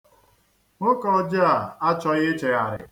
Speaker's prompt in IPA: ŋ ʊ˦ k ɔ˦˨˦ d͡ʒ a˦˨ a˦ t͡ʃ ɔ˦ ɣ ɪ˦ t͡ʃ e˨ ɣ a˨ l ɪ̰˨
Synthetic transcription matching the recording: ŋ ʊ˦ k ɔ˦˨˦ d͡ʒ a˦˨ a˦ t͡ʃ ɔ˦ ɣ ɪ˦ t͡ʃ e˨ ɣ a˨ ɾ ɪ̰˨